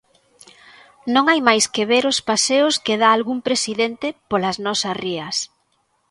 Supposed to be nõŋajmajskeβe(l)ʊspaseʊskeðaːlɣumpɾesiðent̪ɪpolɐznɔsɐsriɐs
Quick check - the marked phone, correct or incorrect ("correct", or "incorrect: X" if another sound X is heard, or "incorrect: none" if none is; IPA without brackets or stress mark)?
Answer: incorrect: ɾ